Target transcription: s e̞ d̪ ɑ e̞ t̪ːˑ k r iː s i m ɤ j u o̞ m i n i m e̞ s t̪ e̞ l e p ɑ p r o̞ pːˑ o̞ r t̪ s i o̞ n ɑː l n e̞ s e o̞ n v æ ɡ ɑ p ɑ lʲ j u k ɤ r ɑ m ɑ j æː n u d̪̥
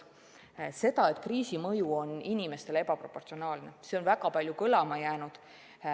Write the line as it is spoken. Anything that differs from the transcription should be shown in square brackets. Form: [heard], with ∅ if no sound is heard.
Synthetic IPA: s e̞ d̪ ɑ e̞ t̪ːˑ k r iː s i m ɤ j u o̞ [n] i n i m e̞ s t̪ e̞ l e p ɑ p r o̞ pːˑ o̞ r t̪ s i o̞ n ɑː l n e̞ s e o̞ n v æ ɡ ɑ p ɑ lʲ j u k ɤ [l] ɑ m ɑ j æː n u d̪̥